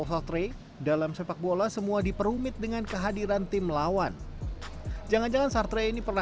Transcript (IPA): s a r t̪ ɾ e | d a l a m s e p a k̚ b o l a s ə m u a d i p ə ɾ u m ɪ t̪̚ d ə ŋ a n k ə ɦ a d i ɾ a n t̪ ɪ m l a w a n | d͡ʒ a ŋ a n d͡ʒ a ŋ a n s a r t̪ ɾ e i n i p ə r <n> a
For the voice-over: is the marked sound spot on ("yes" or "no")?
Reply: yes